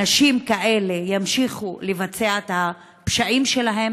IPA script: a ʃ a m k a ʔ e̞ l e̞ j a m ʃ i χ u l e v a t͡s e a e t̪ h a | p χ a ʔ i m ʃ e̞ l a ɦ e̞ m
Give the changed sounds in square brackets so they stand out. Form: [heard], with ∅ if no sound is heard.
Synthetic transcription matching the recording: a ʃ [i] m k a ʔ e̞ l e̞ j a m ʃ i χ u l e v a t͡s e a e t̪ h a | p [ʃ] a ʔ i m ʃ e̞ l a ɦ e̞ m